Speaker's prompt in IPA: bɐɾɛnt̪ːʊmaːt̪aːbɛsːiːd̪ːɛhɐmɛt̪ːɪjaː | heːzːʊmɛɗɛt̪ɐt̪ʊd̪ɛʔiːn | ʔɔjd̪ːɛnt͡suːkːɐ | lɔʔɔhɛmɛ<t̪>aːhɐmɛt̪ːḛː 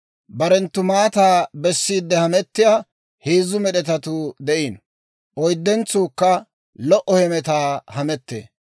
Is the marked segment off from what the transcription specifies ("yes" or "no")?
no